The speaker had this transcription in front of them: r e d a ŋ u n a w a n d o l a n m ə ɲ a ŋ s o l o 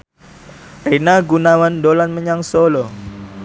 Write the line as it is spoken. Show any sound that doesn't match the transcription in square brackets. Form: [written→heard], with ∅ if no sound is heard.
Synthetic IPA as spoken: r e [d→n] a [ŋ→ɡ] u n a w a n d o l a n m ə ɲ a ŋ s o l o